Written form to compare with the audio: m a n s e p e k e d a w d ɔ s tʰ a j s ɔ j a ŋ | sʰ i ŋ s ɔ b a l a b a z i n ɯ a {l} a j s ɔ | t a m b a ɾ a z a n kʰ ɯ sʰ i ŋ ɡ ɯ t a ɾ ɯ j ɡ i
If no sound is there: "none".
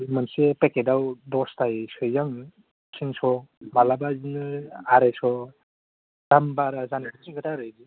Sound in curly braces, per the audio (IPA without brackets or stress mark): ɾ